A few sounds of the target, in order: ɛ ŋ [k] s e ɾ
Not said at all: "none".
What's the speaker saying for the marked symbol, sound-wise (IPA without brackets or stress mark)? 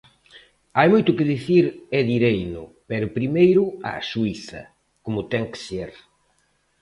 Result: k